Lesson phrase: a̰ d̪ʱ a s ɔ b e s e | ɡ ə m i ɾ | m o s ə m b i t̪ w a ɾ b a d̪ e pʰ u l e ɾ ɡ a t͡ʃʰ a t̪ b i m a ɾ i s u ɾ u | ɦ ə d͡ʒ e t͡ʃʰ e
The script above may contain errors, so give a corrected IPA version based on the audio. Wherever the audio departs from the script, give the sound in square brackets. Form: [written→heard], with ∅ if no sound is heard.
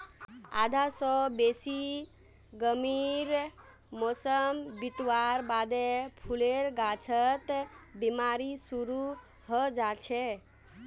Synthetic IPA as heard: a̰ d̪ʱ a s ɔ b e s [e→i] | ɡ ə m i ɾ | m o s ə m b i t̪ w a ɾ b a d̪ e pʰ u l e ɾ ɡ a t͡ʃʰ [a→ə] t̪ b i m a ɾ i s u ɾ u | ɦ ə d͡ʒ [e→a] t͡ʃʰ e